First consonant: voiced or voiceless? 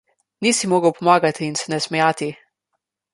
voiced